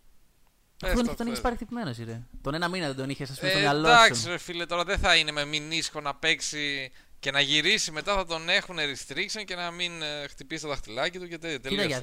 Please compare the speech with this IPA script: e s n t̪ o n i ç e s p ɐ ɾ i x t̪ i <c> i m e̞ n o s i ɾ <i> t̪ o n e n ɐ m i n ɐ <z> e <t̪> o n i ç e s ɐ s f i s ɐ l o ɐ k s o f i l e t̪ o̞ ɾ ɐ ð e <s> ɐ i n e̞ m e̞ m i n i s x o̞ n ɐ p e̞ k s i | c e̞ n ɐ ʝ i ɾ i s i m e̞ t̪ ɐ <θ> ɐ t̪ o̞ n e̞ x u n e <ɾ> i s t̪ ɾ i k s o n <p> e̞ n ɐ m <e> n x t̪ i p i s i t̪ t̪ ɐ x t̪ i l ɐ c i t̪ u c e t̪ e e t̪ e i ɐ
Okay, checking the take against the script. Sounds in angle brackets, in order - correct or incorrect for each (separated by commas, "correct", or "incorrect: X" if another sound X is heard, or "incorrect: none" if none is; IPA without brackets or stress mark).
incorrect: p, incorrect: e, incorrect: ð, incorrect: d̪, incorrect: θ, correct, correct, incorrect: c, incorrect: i